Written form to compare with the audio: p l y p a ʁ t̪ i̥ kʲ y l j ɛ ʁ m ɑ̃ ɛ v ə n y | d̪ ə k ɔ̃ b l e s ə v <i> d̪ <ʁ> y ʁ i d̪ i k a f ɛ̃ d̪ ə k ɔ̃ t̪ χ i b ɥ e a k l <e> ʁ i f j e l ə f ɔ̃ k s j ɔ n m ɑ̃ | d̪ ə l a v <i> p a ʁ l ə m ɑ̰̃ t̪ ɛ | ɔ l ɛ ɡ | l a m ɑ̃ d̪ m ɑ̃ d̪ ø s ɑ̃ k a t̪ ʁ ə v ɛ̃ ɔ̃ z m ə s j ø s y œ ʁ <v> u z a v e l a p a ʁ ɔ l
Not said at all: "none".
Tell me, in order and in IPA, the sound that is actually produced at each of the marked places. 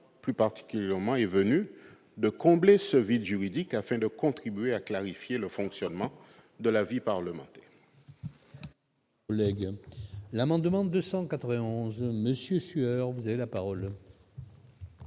i, ʒ, a, i, v

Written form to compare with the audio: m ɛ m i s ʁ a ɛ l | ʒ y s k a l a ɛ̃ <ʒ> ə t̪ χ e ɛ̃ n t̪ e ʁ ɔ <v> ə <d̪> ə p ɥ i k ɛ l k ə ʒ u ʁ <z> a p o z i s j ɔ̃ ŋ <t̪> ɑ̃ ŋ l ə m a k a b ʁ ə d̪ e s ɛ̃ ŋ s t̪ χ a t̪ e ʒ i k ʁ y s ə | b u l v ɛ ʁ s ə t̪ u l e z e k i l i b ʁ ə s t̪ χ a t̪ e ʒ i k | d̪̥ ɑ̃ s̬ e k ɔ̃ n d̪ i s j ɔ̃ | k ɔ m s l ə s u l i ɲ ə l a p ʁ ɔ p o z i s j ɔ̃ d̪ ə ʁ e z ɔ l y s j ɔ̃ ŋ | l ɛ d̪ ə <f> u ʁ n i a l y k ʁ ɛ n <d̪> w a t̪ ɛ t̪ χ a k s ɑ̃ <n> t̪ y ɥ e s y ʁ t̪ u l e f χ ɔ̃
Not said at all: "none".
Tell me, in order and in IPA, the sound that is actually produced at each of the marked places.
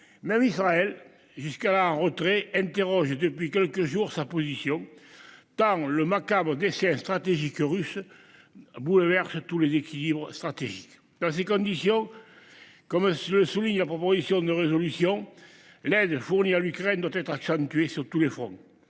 ʁ, ʒ, d̪, s, t̪, f, d̪, n

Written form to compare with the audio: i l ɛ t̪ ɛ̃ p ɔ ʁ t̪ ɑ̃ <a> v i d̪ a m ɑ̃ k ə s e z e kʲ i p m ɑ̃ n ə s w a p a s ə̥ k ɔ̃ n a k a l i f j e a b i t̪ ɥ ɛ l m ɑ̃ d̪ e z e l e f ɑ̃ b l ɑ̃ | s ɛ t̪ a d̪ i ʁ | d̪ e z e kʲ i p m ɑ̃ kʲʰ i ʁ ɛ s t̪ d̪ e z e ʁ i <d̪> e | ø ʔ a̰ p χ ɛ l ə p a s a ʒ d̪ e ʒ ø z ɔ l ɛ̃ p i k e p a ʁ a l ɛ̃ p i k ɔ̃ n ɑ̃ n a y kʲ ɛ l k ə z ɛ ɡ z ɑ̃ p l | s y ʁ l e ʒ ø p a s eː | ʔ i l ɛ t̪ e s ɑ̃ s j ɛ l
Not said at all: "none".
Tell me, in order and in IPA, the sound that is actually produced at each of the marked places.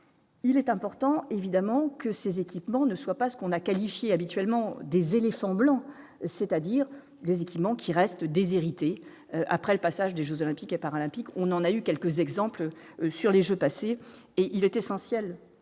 e, t̪

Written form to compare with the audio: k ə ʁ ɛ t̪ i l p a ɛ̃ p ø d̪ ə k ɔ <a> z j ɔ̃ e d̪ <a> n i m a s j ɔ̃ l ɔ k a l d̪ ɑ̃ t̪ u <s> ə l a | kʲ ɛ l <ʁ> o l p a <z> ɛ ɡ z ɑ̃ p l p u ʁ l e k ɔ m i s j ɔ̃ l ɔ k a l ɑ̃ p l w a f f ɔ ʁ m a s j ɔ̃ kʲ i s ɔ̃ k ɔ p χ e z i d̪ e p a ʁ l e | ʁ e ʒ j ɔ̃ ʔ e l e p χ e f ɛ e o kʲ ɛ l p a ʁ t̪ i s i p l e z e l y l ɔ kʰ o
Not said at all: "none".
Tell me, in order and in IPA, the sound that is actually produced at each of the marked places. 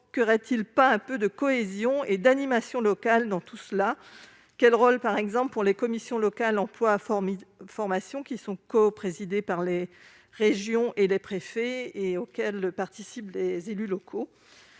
e, a, s, ʁ, ʁ

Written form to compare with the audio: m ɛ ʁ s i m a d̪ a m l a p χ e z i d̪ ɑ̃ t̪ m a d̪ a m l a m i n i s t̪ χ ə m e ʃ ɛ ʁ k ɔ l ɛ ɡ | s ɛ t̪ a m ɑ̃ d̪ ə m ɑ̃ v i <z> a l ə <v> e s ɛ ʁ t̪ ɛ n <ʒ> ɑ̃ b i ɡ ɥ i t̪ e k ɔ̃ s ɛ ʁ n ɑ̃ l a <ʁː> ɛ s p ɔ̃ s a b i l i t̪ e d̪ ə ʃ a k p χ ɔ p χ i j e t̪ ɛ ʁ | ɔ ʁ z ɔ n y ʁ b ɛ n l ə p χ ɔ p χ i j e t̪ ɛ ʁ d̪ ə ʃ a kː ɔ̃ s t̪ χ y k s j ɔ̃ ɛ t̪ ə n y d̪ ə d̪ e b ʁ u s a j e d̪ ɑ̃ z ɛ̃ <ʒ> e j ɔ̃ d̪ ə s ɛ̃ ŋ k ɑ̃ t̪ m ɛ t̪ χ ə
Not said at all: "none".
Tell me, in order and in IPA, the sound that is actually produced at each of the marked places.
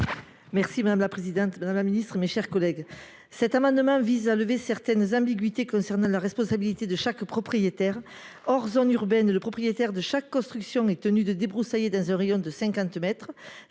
z, v, z, ʁ, ʁ

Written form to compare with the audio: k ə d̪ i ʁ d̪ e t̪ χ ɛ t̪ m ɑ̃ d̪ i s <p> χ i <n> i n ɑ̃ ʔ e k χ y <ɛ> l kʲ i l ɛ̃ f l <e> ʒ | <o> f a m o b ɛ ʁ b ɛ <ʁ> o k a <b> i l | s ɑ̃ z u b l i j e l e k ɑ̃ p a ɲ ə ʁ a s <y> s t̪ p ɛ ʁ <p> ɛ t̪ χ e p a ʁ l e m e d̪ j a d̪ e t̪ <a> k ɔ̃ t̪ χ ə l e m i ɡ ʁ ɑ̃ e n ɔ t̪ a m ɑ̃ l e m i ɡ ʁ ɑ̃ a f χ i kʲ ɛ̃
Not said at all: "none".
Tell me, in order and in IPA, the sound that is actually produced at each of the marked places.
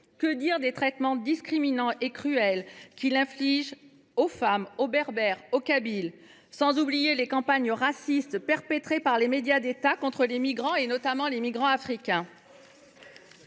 k, m, ɛ, i, o, ʁ, b, i, p, a

